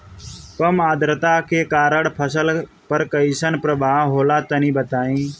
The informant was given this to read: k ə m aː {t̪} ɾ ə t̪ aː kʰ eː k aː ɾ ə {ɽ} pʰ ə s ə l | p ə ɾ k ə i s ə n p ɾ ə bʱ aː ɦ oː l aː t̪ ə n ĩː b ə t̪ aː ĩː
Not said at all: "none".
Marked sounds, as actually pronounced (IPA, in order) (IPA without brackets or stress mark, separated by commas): d̪, ɽ